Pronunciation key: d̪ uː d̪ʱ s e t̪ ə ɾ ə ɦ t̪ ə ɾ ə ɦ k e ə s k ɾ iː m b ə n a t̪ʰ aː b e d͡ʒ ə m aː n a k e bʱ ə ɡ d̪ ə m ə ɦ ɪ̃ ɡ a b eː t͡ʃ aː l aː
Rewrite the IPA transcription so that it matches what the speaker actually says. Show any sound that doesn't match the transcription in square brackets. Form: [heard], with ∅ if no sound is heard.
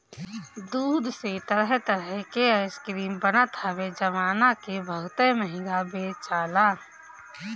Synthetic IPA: d̪ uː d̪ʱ s e t̪ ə ɾ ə ɦ t̪ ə ɾ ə ɦ k e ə s k ɾ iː m b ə n a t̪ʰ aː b e d͡ʒ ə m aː n a k e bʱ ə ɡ [t̪] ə m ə ɦ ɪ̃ ɡ a b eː t͡ʃ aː l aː